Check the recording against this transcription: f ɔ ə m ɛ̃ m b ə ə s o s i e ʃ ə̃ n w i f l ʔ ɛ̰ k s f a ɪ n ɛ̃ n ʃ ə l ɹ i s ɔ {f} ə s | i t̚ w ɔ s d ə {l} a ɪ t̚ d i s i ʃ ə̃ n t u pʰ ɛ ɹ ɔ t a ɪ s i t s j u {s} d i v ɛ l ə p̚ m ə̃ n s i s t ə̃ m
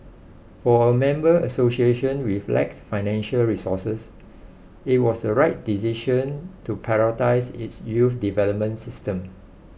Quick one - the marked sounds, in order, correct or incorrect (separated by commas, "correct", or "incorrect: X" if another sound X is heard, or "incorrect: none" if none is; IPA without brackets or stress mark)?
incorrect: s, incorrect: ɹ, incorrect: f